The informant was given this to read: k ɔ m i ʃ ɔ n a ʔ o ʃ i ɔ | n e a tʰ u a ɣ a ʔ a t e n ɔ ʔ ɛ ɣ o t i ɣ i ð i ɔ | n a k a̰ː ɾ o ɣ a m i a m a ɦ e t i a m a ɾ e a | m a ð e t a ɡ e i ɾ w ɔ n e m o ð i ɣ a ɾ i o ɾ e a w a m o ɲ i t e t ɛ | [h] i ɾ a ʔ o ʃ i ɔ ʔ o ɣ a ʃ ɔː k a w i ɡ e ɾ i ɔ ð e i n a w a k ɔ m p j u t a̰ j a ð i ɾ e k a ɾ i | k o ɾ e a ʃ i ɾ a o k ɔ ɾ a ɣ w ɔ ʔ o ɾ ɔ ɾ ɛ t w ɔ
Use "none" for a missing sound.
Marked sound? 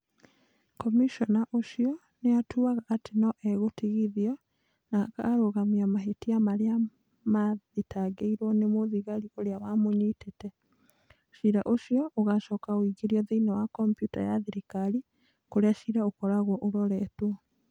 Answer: ʃ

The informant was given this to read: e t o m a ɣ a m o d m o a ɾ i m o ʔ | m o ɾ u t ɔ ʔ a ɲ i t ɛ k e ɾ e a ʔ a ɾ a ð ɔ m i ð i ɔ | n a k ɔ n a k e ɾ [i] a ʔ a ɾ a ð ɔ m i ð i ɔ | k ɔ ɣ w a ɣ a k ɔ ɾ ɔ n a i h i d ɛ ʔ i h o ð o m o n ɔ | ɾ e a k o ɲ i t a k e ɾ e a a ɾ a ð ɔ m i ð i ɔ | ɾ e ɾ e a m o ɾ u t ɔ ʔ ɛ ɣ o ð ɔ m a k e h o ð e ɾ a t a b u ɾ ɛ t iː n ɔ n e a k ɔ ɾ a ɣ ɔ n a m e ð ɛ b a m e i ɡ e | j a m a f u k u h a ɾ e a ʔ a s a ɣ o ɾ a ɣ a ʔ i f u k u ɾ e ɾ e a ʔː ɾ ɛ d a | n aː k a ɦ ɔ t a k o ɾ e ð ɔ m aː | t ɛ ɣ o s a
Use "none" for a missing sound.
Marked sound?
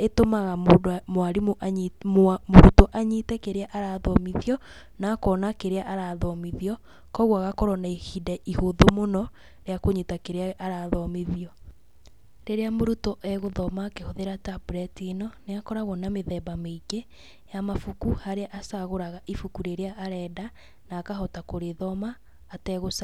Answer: e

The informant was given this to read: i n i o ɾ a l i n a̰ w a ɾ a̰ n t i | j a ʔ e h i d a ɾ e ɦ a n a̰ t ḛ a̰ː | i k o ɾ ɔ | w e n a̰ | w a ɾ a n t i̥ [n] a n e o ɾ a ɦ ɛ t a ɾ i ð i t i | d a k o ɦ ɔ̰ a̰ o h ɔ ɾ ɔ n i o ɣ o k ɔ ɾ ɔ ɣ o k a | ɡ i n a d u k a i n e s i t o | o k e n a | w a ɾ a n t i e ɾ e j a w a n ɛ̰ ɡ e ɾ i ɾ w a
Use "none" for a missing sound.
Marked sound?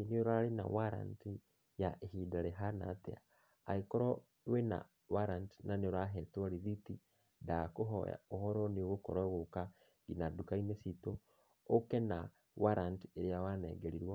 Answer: n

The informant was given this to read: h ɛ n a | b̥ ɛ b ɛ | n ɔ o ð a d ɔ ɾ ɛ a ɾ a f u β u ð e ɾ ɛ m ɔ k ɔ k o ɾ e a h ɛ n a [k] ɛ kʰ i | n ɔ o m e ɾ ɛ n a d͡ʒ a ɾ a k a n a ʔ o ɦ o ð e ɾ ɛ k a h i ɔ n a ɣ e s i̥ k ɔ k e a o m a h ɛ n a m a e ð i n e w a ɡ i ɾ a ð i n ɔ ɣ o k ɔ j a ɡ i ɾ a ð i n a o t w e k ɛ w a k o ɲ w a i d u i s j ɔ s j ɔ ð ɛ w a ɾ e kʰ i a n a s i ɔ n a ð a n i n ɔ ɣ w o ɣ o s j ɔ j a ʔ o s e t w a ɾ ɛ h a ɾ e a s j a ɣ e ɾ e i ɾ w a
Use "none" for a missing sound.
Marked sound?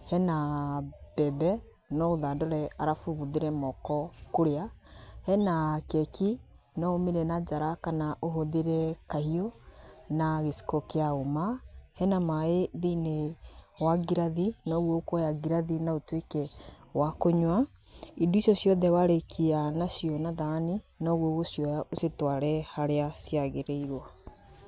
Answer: k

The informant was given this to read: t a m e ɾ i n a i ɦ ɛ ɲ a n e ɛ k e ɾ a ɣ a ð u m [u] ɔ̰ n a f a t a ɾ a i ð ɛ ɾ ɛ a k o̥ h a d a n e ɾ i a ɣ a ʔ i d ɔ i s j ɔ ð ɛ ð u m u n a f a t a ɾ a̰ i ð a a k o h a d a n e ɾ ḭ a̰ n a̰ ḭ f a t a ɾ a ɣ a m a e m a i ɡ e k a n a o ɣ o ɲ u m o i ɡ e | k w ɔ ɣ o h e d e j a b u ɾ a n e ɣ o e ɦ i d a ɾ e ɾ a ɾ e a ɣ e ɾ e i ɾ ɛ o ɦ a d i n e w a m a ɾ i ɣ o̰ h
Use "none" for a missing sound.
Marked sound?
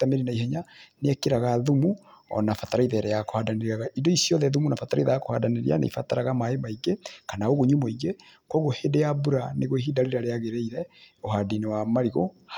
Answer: u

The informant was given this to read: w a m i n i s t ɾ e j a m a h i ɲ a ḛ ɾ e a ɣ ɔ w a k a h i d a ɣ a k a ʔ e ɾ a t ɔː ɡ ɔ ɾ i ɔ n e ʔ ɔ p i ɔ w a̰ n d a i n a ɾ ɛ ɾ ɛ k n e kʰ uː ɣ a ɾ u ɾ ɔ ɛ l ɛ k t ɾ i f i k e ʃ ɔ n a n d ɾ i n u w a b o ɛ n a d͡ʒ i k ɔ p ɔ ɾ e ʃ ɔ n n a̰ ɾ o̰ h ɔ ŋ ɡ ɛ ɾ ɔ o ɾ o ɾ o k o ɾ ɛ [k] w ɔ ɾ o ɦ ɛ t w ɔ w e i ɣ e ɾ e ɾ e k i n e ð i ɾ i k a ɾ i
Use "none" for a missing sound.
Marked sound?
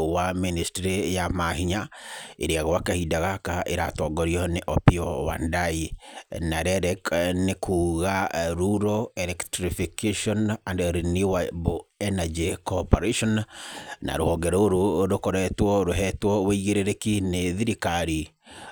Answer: t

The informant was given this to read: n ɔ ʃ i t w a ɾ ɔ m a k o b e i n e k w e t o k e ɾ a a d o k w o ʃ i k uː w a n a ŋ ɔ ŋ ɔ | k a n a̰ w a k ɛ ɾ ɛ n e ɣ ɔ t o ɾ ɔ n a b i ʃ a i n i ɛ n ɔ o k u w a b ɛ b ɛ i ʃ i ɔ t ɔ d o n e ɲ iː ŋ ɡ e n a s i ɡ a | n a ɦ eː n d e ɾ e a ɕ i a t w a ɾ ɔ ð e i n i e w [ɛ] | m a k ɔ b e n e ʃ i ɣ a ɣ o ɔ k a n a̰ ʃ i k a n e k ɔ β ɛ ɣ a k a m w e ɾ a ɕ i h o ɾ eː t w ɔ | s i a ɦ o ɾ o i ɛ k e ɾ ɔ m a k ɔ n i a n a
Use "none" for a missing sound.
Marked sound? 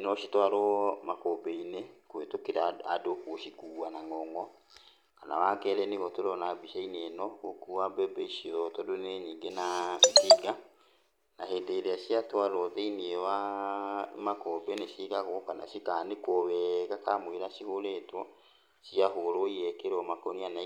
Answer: a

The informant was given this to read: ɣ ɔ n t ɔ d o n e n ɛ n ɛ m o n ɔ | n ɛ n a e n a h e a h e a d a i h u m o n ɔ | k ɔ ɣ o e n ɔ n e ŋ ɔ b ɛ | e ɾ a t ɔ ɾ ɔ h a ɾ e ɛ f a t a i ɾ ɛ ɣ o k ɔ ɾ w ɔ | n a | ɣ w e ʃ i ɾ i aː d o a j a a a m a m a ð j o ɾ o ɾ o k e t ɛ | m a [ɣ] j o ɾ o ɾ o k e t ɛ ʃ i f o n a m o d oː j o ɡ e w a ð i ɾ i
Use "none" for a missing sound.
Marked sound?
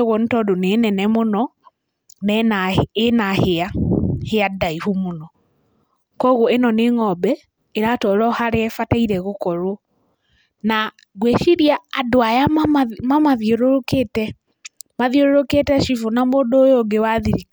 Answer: ð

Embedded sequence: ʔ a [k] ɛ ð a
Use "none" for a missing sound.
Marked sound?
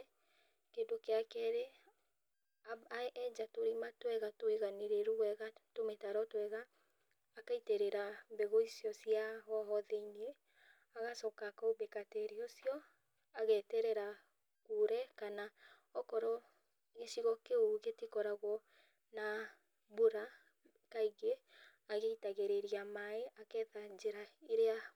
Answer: k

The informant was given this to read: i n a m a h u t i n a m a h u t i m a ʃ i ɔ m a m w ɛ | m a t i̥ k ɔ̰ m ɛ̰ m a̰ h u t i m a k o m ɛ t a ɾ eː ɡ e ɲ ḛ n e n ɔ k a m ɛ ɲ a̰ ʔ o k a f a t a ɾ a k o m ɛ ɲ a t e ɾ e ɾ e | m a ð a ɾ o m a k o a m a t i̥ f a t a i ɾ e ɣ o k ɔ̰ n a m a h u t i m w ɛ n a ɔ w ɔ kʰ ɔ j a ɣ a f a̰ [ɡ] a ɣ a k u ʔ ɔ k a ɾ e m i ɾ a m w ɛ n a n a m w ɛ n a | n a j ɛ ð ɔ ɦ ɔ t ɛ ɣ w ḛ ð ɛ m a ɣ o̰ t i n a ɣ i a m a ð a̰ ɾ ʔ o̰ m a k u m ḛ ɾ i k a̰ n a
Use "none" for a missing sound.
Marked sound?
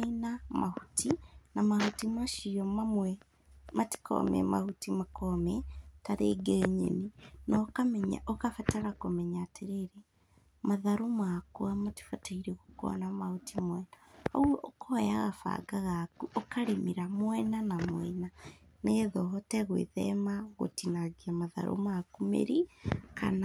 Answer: ɡ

